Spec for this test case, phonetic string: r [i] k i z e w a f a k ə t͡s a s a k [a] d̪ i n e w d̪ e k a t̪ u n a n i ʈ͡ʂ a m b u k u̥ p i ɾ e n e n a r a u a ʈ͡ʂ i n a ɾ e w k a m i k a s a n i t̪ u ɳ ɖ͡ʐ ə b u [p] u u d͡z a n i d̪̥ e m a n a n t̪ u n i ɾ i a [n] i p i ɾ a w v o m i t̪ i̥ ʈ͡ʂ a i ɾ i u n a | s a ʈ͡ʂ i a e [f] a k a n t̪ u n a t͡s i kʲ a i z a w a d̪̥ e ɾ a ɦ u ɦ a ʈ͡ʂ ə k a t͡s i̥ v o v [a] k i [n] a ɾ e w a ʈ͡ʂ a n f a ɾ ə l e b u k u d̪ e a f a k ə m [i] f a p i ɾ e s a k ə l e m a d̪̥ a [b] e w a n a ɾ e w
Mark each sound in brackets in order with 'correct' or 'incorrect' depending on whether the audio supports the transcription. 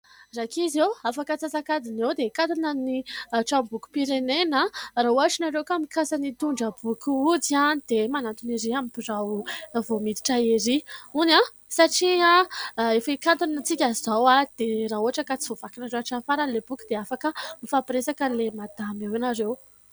incorrect: a, correct, incorrect: k, incorrect: m, correct, correct, correct, correct, incorrect: m

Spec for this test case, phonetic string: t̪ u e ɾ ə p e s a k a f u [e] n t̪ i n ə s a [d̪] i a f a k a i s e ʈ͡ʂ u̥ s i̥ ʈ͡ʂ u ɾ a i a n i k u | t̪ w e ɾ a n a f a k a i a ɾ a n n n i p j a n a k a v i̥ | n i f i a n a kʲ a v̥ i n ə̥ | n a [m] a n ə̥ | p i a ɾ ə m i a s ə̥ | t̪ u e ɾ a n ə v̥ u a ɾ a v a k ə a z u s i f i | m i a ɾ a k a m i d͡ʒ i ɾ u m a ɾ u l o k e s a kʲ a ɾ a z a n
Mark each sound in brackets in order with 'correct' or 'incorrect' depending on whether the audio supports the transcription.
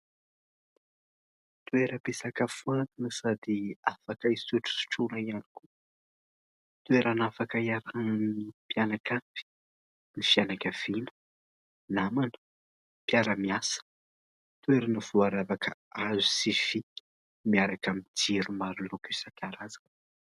incorrect: a, correct, correct

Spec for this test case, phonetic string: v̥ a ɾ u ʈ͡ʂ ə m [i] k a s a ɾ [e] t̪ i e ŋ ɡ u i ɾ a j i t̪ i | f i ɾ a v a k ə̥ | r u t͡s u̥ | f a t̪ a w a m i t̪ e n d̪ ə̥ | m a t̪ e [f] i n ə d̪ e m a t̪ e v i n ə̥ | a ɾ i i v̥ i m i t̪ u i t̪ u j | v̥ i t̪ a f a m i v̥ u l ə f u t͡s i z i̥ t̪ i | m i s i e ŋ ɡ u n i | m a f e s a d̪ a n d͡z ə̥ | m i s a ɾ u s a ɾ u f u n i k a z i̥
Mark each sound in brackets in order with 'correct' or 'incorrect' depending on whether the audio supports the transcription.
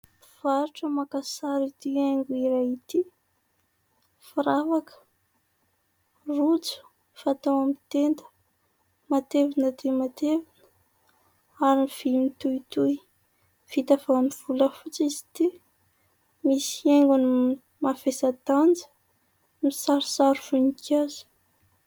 incorrect: a, incorrect: i, incorrect: v

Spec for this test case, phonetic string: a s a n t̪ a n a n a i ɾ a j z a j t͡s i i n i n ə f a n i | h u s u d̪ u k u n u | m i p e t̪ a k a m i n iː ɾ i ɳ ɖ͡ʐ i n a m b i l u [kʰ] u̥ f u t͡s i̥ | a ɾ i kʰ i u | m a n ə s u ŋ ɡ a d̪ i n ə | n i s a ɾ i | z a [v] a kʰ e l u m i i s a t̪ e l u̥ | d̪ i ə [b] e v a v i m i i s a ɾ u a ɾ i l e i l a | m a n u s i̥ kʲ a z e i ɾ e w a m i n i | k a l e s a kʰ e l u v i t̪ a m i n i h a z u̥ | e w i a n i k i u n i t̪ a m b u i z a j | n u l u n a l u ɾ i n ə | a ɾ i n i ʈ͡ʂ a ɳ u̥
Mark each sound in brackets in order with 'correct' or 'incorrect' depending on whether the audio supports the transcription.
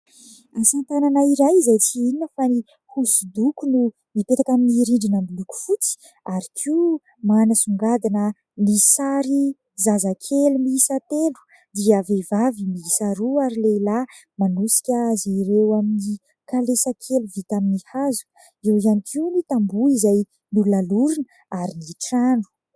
incorrect: k, incorrect: z, incorrect: v

